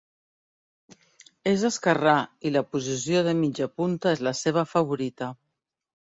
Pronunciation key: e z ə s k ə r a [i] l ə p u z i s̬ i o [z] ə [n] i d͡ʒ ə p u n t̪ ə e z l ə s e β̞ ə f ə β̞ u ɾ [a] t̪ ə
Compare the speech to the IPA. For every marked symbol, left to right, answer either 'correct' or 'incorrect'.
correct, incorrect: ð, incorrect: m, incorrect: i

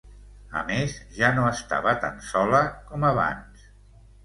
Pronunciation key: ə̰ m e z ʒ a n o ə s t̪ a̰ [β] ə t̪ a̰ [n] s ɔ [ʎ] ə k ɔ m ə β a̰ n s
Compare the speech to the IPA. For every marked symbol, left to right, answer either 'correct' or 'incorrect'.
correct, correct, incorrect: l

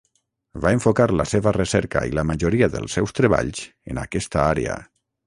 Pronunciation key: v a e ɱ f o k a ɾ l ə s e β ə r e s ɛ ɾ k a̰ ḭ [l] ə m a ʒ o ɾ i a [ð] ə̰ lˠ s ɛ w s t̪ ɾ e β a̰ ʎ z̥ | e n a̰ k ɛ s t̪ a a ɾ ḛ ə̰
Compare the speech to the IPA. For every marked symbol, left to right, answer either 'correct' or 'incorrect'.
correct, correct

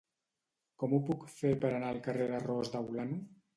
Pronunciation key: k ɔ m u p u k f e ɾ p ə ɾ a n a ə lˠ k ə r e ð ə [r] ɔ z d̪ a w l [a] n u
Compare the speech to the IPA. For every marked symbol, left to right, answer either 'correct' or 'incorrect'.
correct, correct

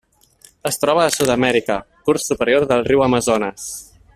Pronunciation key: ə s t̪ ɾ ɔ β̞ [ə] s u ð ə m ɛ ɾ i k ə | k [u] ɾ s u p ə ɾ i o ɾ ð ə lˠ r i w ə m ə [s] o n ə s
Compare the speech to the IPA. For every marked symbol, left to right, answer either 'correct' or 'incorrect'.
incorrect: əː, correct, incorrect: z

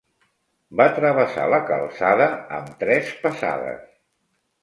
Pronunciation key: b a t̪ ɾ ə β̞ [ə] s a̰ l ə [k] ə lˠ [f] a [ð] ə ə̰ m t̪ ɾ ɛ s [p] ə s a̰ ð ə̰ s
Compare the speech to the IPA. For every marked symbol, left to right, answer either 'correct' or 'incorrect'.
correct, correct, incorrect: s, correct, correct

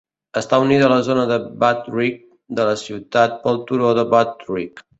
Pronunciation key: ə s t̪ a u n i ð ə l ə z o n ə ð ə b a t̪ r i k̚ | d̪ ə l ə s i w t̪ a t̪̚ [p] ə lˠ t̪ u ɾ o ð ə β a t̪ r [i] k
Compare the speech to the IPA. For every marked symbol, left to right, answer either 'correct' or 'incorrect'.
correct, correct

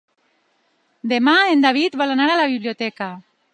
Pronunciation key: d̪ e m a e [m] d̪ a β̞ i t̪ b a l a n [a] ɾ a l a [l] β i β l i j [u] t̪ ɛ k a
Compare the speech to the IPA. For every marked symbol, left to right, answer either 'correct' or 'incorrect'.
incorrect: n, correct, incorrect: none, incorrect: o

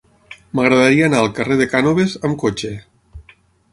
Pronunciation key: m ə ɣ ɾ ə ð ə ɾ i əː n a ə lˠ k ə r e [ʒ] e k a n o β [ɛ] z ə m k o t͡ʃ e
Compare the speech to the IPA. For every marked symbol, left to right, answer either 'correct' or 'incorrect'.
incorrect: ð, incorrect: e

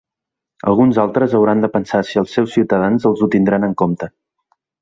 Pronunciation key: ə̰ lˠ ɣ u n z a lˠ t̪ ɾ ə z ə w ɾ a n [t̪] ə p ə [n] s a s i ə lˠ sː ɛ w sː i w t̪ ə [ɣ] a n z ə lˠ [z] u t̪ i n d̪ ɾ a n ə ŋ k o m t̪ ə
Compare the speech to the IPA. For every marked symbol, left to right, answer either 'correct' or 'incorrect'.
incorrect: d̪, correct, incorrect: ð, correct

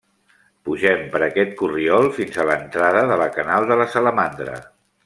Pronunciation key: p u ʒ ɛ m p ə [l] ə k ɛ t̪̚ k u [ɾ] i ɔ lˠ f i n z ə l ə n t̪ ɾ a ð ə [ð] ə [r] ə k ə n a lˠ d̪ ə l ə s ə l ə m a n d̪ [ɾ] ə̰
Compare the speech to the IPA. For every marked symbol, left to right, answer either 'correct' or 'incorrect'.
incorrect: ɾ, incorrect: r, correct, incorrect: l, correct

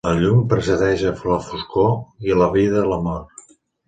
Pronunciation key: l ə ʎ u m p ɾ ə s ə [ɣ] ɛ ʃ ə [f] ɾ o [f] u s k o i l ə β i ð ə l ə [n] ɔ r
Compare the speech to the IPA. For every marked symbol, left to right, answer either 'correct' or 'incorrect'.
incorrect: ð, correct, correct, incorrect: m

